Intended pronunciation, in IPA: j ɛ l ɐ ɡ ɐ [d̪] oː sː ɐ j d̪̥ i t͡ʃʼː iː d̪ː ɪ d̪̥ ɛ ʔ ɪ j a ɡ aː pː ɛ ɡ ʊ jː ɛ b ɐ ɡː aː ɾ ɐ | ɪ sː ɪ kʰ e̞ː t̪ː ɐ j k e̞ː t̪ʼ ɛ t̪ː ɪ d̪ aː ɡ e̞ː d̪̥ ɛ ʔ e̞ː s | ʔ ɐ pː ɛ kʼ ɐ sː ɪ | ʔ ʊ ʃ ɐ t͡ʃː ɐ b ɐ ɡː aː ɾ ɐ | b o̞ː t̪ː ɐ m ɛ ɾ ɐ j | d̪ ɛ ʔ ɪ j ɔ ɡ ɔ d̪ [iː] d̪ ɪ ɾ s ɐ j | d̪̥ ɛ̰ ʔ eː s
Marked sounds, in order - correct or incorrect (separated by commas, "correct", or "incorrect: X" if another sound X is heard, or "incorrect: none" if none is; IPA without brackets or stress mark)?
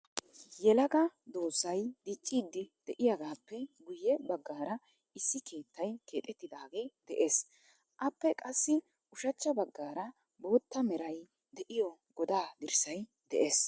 correct, incorrect: aː